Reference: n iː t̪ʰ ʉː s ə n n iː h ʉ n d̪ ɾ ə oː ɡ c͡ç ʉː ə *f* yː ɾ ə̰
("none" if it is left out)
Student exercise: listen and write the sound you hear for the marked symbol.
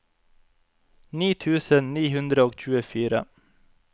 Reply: f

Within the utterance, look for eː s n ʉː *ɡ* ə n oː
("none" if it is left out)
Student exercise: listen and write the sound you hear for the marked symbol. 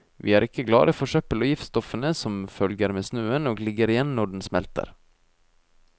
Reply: none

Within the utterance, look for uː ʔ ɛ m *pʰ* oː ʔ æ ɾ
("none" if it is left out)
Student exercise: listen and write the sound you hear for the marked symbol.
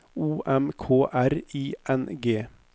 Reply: kʰ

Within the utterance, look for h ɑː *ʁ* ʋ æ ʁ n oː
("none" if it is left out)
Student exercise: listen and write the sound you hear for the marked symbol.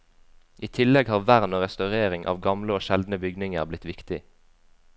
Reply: ʁ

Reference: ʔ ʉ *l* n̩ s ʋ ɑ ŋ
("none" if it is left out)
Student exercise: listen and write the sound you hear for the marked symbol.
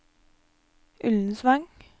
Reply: l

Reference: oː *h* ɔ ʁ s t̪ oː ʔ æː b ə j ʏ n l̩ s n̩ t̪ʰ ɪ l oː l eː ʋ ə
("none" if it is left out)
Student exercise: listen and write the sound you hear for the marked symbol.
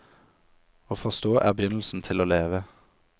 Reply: f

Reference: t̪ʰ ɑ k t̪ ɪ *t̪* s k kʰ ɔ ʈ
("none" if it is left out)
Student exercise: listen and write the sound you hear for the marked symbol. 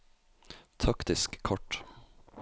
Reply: none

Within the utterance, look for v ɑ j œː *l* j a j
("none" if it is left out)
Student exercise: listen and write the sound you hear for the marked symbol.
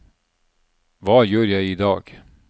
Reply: ɾ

